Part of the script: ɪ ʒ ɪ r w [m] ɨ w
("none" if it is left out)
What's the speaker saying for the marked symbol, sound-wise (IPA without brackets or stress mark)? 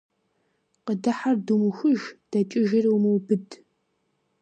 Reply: m